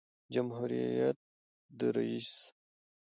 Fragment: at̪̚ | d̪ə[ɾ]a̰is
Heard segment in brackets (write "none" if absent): ɾ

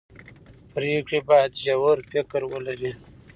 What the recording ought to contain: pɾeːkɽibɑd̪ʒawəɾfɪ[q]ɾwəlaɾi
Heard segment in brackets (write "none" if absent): k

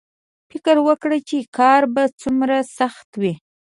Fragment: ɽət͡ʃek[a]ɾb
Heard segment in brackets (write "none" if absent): ɑ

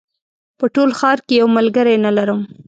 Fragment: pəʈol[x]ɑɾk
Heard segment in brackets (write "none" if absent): x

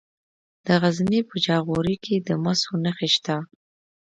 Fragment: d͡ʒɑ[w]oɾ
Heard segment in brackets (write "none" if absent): ɣ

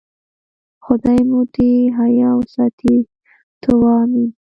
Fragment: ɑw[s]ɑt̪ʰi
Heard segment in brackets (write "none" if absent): s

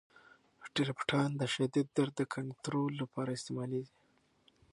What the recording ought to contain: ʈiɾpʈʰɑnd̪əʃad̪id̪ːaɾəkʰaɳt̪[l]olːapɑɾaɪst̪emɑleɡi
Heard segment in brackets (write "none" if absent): ɾ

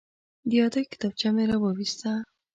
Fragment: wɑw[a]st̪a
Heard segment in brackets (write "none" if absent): i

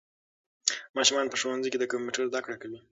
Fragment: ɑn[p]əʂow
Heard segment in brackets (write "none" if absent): p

